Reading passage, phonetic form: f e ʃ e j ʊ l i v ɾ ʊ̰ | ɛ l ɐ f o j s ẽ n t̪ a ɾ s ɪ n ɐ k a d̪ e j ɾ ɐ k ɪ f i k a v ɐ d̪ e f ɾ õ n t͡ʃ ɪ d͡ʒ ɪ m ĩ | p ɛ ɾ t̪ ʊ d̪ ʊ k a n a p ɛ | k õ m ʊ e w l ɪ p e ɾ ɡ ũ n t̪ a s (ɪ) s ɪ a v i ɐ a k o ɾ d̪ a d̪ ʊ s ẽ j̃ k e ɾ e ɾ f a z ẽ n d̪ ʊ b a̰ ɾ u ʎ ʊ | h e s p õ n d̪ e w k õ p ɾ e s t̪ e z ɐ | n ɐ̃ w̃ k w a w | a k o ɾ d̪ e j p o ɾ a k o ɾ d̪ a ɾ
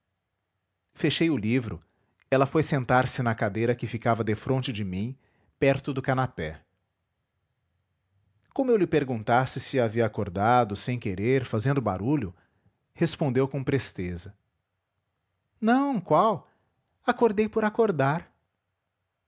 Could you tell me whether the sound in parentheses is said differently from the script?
no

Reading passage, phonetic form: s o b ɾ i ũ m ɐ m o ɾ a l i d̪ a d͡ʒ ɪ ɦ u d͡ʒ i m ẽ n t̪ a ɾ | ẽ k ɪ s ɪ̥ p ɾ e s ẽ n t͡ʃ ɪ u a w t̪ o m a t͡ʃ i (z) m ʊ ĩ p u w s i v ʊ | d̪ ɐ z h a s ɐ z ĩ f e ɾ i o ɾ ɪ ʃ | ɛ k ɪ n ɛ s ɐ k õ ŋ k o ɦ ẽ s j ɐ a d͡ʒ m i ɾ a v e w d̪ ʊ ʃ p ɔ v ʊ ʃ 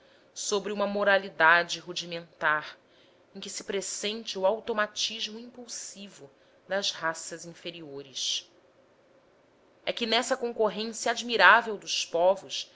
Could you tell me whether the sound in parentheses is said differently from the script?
yes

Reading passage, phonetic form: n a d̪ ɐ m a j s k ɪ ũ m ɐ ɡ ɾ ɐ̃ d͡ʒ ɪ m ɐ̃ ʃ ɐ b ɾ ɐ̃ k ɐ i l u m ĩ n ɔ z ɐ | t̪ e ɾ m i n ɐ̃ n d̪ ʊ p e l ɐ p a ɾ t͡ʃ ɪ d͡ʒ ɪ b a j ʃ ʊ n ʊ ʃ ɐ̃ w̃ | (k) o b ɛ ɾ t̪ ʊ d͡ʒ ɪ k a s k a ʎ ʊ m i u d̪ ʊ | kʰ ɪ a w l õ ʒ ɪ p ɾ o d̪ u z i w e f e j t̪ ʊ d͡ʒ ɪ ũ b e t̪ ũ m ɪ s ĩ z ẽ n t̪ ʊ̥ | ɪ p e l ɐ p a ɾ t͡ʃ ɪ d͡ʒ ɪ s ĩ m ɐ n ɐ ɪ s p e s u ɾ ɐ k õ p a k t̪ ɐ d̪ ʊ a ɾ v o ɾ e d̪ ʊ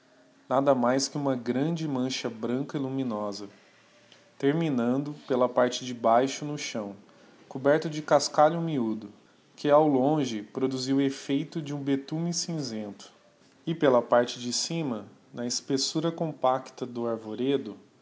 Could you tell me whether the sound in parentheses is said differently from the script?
no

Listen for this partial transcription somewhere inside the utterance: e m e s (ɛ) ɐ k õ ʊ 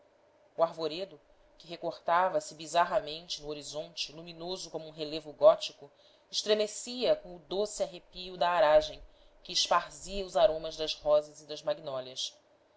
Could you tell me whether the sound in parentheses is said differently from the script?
yes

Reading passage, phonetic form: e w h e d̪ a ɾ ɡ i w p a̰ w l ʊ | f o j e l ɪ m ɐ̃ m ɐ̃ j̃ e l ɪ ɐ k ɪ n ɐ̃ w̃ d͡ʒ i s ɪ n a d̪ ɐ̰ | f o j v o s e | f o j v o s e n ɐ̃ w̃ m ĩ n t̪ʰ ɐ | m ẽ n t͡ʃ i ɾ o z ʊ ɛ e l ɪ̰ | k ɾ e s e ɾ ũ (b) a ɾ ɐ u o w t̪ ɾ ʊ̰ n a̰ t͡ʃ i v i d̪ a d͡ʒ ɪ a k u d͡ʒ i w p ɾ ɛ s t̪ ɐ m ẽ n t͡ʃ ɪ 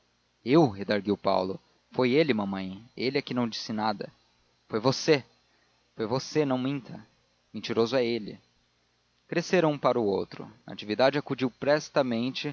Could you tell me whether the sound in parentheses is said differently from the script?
yes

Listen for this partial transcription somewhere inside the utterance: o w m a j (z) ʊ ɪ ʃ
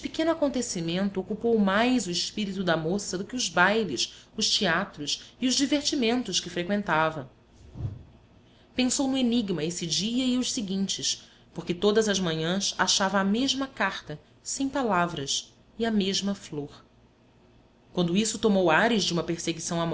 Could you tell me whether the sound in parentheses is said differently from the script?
no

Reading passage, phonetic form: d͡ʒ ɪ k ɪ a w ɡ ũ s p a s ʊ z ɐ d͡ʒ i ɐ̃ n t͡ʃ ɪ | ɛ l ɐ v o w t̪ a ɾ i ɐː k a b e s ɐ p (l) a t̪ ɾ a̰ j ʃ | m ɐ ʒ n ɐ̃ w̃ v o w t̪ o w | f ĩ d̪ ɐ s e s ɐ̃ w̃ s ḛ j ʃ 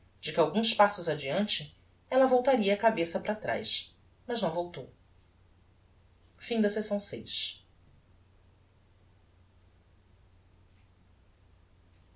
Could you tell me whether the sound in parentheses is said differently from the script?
yes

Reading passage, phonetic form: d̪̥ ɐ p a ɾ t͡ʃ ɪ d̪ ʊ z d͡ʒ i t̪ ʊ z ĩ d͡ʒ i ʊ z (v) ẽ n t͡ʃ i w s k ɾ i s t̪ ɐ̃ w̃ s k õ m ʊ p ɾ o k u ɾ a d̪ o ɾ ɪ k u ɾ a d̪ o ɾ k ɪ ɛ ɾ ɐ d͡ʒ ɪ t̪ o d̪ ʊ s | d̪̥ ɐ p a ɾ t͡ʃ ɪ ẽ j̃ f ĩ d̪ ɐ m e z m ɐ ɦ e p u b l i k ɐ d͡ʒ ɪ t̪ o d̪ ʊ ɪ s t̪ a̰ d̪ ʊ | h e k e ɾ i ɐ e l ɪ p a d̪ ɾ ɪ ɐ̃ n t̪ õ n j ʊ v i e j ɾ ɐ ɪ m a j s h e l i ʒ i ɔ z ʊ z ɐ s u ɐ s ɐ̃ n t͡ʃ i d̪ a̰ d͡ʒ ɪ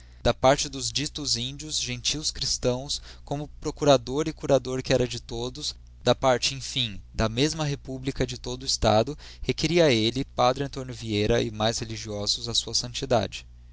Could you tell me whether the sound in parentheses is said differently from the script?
yes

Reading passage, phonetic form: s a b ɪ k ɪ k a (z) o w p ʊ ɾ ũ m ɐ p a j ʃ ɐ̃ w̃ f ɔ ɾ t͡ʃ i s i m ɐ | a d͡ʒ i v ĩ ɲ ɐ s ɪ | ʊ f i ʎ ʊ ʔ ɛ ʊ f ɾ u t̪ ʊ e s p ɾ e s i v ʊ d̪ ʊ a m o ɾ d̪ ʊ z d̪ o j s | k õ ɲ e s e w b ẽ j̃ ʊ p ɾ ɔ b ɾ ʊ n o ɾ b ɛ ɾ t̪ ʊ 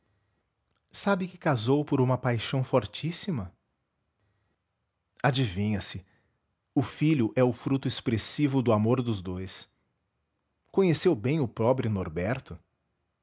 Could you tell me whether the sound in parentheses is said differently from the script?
no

